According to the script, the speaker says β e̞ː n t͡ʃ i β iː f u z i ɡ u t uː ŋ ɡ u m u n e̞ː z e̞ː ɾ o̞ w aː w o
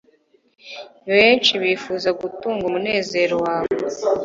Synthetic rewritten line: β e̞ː n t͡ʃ i β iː f u z a ɡ u t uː ŋ ɡ u m u n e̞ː z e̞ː ɾ o̞ w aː β o